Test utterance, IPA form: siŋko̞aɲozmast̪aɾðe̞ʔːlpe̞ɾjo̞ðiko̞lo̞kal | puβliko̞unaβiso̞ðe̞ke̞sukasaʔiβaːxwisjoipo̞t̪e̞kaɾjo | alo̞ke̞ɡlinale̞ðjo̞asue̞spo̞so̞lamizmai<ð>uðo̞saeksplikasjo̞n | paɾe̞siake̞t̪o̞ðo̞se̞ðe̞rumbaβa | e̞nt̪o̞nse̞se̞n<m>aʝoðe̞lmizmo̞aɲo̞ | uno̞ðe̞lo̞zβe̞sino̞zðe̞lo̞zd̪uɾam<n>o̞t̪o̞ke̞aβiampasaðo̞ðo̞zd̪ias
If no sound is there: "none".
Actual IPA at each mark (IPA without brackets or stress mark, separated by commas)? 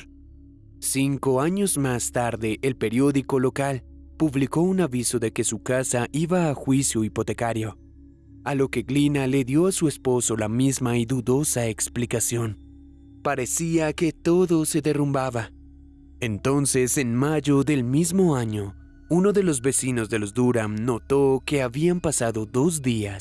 ð, m, n